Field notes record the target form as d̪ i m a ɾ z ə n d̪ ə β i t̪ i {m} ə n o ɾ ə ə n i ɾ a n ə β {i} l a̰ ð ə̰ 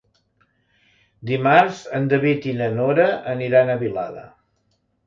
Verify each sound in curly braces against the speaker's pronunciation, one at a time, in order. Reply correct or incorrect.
incorrect: n, correct

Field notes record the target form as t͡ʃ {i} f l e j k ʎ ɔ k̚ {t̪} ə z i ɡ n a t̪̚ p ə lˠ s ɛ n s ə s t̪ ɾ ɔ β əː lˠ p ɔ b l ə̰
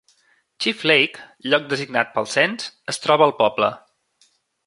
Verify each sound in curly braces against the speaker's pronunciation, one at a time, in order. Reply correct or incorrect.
correct, incorrect: d̪

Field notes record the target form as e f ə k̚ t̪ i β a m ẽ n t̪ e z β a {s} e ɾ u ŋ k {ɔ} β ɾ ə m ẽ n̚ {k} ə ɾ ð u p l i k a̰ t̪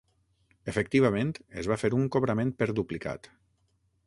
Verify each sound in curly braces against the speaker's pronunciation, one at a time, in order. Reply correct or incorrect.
incorrect: f, incorrect: o, incorrect: p

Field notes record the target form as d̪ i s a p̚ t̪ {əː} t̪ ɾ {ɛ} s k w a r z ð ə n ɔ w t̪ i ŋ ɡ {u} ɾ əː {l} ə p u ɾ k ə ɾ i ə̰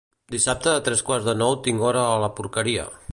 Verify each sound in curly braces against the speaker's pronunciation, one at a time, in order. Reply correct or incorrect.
correct, correct, incorrect: ɔ, correct

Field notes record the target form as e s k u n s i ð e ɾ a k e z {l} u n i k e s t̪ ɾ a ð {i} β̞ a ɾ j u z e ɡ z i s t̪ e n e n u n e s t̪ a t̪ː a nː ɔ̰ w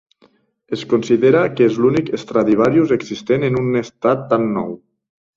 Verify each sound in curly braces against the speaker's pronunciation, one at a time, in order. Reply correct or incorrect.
correct, correct

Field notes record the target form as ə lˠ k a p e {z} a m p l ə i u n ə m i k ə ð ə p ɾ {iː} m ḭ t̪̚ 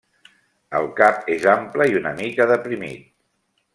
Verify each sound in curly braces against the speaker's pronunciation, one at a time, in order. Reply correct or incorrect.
correct, incorrect: i

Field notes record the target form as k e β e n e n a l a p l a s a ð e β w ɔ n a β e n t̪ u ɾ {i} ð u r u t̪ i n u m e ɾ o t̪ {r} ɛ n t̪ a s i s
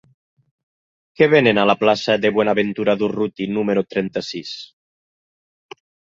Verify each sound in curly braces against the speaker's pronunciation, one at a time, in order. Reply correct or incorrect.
incorrect: a, incorrect: ɾ

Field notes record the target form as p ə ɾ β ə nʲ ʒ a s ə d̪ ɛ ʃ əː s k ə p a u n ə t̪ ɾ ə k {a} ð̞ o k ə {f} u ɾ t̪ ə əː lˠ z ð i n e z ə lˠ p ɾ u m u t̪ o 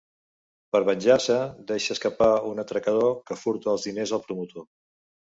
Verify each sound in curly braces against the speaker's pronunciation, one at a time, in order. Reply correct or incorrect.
incorrect: ə, correct

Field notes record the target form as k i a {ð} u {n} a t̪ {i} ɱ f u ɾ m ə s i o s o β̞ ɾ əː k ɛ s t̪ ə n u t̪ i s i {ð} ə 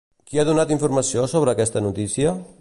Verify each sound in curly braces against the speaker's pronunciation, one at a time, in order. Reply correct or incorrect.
correct, correct, correct, incorrect: none

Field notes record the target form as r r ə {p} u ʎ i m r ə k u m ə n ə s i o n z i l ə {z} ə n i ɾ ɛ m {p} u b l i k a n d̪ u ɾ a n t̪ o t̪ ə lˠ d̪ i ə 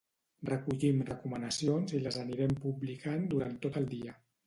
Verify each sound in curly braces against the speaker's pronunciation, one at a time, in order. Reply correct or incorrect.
incorrect: k, correct, correct

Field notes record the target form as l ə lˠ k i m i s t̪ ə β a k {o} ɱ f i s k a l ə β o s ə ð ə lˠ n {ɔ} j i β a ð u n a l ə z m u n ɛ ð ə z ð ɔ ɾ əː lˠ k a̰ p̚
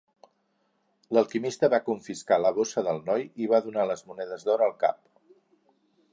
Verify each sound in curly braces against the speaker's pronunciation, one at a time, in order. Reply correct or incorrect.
incorrect: u, correct

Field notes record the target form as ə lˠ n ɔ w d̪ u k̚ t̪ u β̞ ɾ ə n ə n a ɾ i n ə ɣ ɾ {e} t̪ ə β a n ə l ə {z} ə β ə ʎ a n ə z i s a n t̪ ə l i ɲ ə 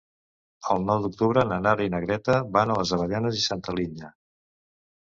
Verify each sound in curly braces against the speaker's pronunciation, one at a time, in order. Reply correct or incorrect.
incorrect: ɛ, correct

